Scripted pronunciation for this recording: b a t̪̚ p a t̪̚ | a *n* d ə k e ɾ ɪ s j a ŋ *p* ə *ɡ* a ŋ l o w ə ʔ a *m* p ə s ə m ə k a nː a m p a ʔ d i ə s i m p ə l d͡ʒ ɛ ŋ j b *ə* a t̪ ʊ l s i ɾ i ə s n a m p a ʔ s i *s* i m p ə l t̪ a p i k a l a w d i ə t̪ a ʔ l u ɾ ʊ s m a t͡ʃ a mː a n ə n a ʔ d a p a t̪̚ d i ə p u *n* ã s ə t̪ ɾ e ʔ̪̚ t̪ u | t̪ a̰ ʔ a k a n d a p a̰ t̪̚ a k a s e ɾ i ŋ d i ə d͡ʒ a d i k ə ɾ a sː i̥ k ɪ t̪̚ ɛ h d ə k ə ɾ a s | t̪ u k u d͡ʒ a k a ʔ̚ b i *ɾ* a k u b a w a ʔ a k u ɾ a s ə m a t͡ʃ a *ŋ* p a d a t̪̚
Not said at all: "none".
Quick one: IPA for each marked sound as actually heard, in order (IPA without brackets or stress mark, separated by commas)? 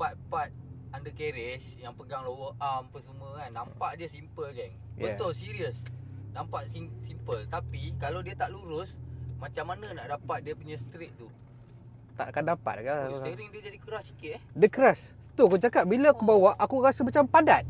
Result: n, p, ɡ, m, ə, s, ɲ, l, m